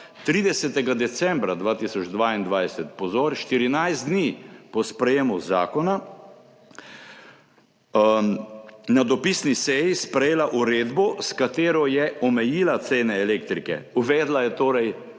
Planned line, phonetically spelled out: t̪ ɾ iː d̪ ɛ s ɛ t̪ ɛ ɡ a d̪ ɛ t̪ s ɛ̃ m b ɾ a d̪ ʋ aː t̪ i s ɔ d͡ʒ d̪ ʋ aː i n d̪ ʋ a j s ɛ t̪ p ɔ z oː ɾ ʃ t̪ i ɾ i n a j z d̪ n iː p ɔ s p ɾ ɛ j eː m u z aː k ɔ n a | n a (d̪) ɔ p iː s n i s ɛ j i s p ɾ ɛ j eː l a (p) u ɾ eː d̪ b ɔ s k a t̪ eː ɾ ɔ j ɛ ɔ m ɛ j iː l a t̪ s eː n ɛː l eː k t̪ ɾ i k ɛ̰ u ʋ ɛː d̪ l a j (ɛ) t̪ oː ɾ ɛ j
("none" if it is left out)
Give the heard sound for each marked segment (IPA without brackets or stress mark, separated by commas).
d̪, ʔ, ɛ